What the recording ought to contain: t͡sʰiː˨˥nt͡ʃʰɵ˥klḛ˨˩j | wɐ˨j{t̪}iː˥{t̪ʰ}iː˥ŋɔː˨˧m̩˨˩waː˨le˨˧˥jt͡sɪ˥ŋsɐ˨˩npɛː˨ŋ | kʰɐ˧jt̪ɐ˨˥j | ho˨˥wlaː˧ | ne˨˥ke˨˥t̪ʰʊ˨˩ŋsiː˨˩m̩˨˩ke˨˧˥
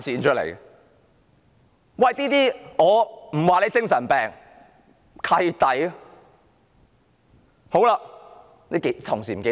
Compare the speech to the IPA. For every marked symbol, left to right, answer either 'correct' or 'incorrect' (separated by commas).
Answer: correct, incorrect